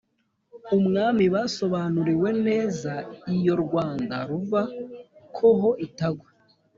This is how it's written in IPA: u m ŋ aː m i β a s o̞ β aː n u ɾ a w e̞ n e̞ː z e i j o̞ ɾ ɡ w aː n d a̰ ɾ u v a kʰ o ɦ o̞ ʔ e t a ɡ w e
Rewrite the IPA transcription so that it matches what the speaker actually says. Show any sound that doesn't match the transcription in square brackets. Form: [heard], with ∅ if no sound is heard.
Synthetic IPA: u m ŋ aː m i β a s o̞ β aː n u ɾ [i] w e̞ n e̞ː z [a] i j o̞ ɾ ɡ w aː n d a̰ ɾ u v a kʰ o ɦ o̞ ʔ [i] t a ɡ w e